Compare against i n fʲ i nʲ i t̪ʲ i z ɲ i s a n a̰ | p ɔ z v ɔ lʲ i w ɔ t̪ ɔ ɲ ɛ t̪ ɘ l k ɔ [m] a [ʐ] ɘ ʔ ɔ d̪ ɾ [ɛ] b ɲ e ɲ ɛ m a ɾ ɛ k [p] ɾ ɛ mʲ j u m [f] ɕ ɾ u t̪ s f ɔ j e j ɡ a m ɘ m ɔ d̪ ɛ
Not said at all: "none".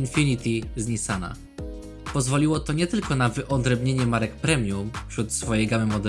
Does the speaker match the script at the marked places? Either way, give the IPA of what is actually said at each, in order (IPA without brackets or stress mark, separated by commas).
n, v, ɛ, p, f